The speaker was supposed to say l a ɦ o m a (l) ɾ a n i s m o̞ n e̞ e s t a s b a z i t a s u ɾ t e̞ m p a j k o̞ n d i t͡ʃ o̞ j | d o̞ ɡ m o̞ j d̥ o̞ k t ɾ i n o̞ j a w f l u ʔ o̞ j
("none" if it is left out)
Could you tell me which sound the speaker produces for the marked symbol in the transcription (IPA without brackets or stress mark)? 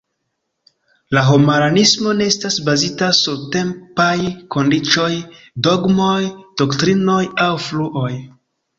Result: none